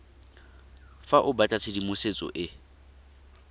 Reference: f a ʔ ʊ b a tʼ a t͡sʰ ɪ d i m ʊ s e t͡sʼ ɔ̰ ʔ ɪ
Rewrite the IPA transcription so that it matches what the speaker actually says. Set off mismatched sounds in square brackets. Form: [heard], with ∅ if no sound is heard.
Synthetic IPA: f a ʔ ʊ b a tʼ a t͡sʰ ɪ d i m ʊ s e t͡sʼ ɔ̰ ʔ ɪ